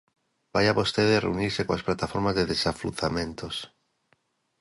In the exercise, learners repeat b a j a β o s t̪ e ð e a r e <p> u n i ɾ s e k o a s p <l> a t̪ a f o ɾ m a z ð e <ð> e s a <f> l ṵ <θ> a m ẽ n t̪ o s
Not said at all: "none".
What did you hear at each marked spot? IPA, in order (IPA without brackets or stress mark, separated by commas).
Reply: none, l, ð, f, θ